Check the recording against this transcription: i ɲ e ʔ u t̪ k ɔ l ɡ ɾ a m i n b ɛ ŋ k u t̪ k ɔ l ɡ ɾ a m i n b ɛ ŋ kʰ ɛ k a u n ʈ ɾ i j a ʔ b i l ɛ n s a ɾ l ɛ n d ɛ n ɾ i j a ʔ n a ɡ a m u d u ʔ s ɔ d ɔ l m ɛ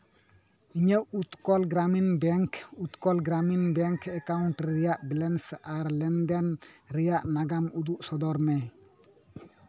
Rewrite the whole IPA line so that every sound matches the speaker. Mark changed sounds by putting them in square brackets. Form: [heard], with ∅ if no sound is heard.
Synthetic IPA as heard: i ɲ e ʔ u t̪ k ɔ l ɡ ɾ a m i n b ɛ ŋ k u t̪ k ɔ l ɡ ɾ a m i n b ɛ ŋ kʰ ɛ k a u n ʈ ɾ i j a ʔ b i l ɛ n s a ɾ l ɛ n d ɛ n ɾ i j a ʔ n a ɡ a m u d u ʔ s ɔ d ɔ [ɾ] m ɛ